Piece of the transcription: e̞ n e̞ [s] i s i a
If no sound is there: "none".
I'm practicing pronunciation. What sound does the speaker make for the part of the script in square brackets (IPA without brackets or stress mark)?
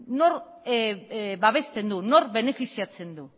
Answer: f